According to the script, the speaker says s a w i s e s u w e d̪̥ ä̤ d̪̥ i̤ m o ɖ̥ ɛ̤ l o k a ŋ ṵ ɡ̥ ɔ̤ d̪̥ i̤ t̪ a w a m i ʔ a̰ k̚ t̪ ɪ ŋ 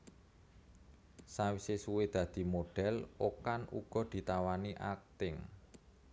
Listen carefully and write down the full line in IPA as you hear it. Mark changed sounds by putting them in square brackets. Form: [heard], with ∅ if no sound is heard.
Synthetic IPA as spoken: s a w i s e s u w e d̪̥ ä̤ d̪̥ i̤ m o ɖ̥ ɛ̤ l o k a [n] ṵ ɡ̥ ɔ̤ d̪̥ i̤ t̪ a w a [n] i ʔ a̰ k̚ t̪ ɪ ŋ